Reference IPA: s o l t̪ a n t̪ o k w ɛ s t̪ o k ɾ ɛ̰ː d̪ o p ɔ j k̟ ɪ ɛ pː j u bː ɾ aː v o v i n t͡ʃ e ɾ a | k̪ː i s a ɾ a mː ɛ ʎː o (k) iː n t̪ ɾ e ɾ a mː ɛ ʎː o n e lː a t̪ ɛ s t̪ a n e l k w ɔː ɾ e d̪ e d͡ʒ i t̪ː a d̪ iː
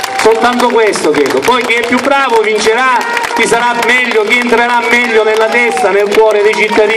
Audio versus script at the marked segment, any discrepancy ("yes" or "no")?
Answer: no